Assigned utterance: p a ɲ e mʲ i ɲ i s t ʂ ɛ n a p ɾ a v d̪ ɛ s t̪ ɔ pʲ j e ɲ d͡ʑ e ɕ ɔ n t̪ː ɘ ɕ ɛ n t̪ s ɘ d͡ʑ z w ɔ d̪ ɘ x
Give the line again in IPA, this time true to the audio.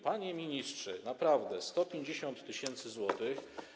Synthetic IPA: p a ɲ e mʲ i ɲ i s t ʂ ɛ n a p ɾ a v d̪ ɛ s t̪ ɔ pʲ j e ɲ d͡ʑ e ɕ ɔ n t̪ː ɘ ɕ ɛ n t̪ s ɘ z w ɔ t̪ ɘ x